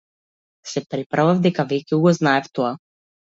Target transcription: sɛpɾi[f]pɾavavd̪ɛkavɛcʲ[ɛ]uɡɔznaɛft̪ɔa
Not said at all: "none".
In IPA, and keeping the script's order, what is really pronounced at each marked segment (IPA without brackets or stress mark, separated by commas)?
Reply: none, ɛ